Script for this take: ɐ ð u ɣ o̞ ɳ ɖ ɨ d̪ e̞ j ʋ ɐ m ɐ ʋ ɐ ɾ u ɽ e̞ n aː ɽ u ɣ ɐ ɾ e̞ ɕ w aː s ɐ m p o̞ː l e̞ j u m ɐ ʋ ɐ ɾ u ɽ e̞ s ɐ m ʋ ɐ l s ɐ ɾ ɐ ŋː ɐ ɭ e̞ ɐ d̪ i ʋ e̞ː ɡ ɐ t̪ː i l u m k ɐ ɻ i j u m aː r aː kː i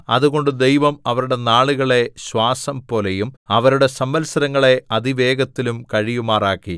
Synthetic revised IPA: ɐ ð u ɣ o̞ ɳ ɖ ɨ d̪ e̞ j ʋ ɐ m ɐ ʋ ɐ ɾ u ɽ e̞ n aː ɭ u ɣ ɐ ɭ e̞ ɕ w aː s ɐ m p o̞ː l e̞ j u m ɐ ʋ ɐ ɾ u ɽ e̞ s ɐ m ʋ ɐ l s ɐ ɾ ɐ ŋː ɐ ɭ e̞ ɐ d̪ i ʋ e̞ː ɡ ɐ t̪ː i l u m k ɐ ɻ i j u m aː r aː kː i